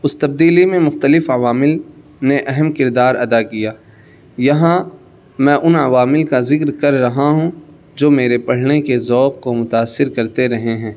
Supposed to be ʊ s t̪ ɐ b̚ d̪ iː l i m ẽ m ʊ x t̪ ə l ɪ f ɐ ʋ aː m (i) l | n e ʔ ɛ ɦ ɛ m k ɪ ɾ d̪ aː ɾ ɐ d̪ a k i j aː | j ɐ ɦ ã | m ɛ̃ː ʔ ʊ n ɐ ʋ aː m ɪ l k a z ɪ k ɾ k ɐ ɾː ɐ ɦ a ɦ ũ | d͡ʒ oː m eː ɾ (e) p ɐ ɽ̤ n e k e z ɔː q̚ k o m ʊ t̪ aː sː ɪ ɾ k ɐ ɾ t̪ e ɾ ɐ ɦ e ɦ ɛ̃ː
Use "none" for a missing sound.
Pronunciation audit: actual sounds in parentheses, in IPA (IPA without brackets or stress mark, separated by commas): ɪ, e